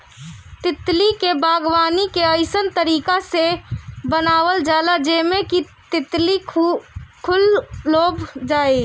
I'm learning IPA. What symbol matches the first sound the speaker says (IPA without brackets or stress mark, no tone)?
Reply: t̪